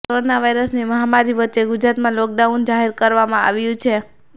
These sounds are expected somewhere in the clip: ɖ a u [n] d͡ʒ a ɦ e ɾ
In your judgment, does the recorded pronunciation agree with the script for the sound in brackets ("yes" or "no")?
yes